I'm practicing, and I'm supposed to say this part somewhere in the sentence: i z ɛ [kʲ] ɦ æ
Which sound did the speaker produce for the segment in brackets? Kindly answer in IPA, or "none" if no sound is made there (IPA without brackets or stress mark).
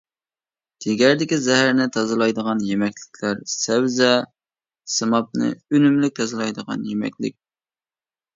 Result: none